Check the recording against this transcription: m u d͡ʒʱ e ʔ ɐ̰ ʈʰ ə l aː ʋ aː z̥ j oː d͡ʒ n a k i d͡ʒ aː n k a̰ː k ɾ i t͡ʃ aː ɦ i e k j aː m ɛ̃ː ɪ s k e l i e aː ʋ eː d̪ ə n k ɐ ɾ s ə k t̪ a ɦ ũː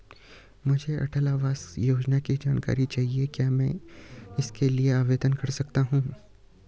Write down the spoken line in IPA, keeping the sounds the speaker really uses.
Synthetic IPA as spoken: m ʊ d͡ʒʱ e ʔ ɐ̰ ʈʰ ə l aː ʋ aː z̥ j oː d͡ʒ n a k i d͡ʒ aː n k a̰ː ɾ i t͡ʃ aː ɦ i e k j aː m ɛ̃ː ɪ s k e l i e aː ʋ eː d̪ ə n k ɐ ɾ s ɐ k t̪ a ɦ ũː